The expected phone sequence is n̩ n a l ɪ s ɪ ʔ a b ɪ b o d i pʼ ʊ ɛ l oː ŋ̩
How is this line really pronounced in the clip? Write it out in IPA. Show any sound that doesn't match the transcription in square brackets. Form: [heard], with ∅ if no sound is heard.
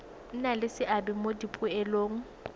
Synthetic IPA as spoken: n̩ n a l ɪ s ɪ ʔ a b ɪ [m] o d i pʼ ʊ ɛ l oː ŋ̩